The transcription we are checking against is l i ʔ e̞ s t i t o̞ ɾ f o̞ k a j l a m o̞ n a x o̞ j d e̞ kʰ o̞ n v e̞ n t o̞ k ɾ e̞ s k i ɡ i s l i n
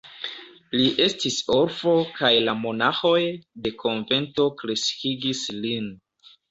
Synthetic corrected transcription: l i ʔ e̞ s t i s o̞ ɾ f o̞ k a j l a m o̞ n a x o̞ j d e̞ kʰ o̞ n v e̞ n t o̞ k ɾ e̞ s k i ɡ i s l i n